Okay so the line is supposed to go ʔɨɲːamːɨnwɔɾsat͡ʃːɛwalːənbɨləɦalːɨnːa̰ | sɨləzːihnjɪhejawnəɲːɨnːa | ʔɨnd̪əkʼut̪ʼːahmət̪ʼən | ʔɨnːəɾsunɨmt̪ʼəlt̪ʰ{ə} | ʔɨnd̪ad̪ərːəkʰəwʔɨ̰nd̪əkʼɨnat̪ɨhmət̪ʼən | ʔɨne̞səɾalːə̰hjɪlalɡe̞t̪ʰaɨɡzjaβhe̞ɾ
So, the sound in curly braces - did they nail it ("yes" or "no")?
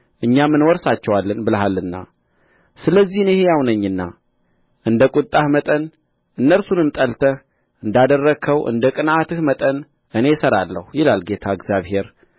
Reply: yes